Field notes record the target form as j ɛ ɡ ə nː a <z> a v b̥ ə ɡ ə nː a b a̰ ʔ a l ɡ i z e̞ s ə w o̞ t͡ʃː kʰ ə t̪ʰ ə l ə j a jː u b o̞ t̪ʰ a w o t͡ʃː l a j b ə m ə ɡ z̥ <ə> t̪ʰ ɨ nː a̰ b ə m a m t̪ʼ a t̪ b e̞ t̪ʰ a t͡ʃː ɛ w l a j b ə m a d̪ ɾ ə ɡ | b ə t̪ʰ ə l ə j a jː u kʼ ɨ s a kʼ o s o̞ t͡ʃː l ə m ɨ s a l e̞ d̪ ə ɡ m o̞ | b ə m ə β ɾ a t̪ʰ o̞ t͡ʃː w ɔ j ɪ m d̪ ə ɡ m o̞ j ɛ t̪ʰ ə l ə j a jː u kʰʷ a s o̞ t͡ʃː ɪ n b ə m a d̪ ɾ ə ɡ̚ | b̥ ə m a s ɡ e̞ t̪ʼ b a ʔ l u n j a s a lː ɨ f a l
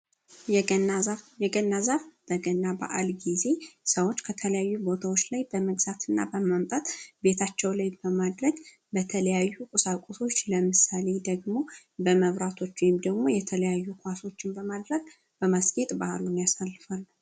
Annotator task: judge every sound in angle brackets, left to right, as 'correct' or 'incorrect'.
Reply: correct, incorrect

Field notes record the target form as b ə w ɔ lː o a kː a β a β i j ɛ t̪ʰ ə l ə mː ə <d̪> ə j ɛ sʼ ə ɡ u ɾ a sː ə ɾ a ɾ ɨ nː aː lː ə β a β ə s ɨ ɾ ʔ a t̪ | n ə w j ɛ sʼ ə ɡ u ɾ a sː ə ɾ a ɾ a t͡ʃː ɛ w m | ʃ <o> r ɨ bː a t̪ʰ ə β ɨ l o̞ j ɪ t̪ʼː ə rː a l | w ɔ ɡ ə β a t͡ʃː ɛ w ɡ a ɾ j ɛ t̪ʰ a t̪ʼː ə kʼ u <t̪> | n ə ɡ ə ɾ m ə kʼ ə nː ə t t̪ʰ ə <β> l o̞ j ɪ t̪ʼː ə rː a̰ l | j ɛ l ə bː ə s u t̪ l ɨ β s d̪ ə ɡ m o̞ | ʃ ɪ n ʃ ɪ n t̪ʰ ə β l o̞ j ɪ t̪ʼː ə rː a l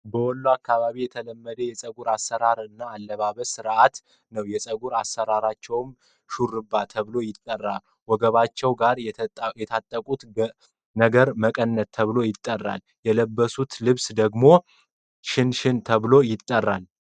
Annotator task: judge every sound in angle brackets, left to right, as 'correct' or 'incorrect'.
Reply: correct, incorrect, correct, correct

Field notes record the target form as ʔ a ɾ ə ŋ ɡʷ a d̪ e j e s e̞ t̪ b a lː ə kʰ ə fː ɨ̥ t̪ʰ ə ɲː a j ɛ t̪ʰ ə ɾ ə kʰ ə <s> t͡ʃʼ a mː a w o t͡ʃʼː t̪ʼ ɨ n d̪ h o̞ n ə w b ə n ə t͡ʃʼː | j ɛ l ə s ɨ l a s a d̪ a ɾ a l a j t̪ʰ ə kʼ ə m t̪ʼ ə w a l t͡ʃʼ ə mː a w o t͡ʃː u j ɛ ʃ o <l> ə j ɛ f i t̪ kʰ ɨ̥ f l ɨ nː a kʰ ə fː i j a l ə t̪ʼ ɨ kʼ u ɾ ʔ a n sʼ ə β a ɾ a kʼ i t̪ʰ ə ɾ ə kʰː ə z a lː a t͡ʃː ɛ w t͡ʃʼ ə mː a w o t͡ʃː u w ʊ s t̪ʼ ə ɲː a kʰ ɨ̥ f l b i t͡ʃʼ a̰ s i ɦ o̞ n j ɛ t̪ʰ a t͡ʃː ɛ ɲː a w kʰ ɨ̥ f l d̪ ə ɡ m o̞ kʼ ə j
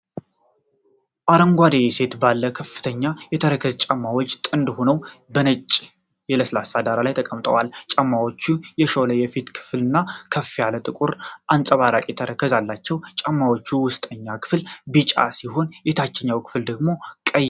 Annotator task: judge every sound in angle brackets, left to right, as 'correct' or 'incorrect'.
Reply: incorrect, correct

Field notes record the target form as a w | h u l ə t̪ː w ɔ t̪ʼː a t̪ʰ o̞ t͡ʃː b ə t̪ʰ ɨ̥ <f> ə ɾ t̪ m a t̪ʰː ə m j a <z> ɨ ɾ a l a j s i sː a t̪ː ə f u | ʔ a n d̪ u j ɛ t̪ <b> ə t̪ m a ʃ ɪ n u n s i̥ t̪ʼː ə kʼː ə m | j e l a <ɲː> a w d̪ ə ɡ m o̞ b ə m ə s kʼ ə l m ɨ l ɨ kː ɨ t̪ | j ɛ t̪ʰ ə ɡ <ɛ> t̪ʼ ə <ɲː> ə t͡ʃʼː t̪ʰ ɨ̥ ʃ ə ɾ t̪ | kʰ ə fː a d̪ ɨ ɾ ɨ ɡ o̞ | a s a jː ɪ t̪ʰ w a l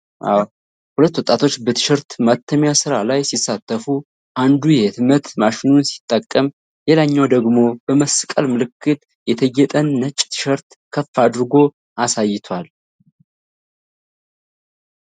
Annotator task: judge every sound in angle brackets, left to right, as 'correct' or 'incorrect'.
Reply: incorrect, incorrect, incorrect, correct, correct, incorrect

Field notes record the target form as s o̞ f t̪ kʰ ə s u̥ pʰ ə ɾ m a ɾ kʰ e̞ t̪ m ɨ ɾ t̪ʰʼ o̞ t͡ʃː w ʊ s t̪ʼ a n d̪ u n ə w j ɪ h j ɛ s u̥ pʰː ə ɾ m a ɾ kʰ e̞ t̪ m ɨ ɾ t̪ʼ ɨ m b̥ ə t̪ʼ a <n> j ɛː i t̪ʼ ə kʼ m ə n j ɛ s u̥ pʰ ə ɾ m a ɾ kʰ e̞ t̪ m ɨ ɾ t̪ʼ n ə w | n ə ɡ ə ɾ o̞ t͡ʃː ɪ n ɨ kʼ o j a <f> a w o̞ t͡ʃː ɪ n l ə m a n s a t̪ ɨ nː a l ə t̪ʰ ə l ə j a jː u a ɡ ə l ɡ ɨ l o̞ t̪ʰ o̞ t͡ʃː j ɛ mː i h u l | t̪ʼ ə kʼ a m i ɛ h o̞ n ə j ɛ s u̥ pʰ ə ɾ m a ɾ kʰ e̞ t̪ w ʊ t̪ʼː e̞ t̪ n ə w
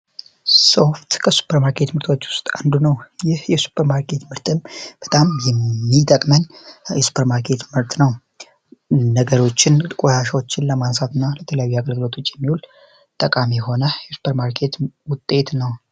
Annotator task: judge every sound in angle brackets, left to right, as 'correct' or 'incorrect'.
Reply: incorrect, incorrect

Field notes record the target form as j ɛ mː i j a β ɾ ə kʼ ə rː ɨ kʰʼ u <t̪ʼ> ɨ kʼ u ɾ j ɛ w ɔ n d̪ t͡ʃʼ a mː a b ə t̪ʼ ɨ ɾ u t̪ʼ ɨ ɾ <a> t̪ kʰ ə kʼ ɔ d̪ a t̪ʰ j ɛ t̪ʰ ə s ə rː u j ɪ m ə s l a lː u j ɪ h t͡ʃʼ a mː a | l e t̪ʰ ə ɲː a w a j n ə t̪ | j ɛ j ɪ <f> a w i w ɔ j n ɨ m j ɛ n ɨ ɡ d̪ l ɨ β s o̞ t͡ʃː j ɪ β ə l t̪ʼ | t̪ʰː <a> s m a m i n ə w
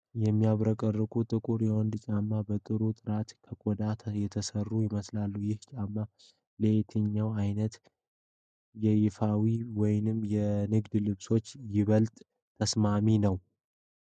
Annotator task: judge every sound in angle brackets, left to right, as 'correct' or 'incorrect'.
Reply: correct, correct, correct, incorrect

